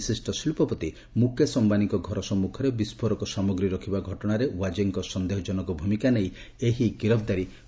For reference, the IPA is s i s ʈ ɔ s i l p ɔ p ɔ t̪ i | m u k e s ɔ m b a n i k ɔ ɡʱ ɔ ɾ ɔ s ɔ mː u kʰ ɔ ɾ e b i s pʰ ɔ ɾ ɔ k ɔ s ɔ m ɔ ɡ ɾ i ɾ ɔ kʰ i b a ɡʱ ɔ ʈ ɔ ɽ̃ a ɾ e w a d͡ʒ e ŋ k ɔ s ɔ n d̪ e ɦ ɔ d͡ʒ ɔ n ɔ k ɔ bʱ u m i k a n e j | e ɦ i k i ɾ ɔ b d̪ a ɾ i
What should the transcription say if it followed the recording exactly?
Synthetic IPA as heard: s i s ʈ ɔ s i l p ɔ p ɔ t̪ i | m u k e s ɔ m b a n i k ɔ ɡʱ ɔ ɾ ɔ s ɔ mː u kʰ ɔ ɾ e b i s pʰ ɔ ɾ ɔ k ɔ s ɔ m ɔ ɡ ɾ i ɾ ɔ kʰ i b a ɡʱ ɔ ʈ ɔ ɽ̃ a ɾ e w a d͡ʒ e ŋ k ɔ s ɔ n d̪ e ɦ ɔ d͡ʒ ɔ n ɔ k ɔ bʱ u m i k a n e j | e ɦ i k i ɾ ɔ b d̪ a ɾ i

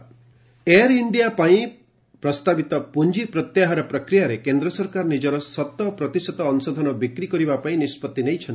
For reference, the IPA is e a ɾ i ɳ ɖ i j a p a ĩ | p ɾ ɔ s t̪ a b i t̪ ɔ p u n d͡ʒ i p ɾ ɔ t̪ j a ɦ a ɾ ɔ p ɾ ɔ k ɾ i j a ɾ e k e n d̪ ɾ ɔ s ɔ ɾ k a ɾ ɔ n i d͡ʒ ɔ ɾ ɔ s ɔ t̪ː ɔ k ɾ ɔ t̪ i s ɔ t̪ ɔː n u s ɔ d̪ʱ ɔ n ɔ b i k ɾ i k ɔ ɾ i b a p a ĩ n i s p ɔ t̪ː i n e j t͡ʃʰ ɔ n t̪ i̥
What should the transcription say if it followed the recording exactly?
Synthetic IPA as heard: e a ɾ i ɳ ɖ i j a p a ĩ | p ɾ ɔ s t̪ a b i t̪ ɔ p u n d͡ʒ i p ɾ ɔ t̪ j a ɦ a ɾ ɔ p ɾ ɔ k ɾ i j a ɾ e k e n d̪ ɾ ɔ s ɔ ɾ k a ɾ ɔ n i d͡ʒ ɔ ɾ ɔ s ɔ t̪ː ɔ p ɾ ɔ t̪ i s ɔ t̪ ɔː n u s ɔ d̪ʱ ɔ n ɔ b i k ɾ i k ɔ ɾ i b a p a ĩ n i s p ɔ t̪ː i n e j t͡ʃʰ ɔ n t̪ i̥

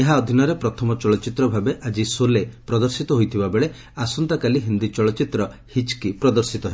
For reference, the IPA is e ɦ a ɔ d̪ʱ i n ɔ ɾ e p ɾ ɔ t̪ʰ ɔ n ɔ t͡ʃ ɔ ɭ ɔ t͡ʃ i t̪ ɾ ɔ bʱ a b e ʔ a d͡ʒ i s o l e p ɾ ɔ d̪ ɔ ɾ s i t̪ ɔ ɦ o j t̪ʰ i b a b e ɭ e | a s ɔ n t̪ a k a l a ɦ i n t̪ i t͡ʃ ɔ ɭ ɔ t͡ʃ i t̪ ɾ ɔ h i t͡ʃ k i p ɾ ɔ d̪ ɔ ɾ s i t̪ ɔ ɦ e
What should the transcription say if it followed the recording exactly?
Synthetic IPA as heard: e ɦ a ɔ d̪ʱ i n ɔ ɾ e p ɾ ɔ t̪ʰ ɔ m ɔ t͡ʃ ɔ ɭ ɔ t͡ʃ i t̪ ɾ ɔ bʱ a b e ʔ a d͡ʒ i s o l e p ɾ ɔ d̪ ɔ ɾ s i t̪ ɔ ɦ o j t̪ʰ i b a b e ɭ e | a s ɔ n t̪ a k a l i ɦ i n d̪ i t͡ʃ ɔ ɭ ɔ t͡ʃ i t̪ ɾ ɔ h i t͡ʃ k i p ɾ ɔ d̪ ɔ ɾ s i t̪ ɔ ɦ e

